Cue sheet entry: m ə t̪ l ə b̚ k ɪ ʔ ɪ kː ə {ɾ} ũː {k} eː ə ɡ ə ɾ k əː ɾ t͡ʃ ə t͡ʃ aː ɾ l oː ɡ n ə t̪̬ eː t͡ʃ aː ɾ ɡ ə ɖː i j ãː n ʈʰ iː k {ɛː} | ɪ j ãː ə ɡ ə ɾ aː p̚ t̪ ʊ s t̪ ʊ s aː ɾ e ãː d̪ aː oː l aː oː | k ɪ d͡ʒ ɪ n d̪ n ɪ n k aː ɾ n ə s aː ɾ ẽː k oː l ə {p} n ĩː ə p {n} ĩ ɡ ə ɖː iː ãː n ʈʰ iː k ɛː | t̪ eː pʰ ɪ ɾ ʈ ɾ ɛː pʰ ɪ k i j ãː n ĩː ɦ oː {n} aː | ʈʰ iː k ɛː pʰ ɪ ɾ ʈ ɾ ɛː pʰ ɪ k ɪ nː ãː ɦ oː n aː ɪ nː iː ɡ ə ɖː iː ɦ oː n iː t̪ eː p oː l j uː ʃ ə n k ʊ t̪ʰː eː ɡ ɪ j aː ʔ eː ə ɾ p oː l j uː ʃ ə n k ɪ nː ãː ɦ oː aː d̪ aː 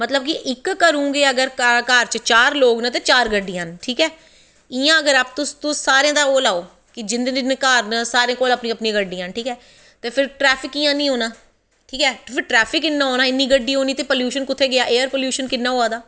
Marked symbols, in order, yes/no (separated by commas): yes, no, yes, yes, yes, yes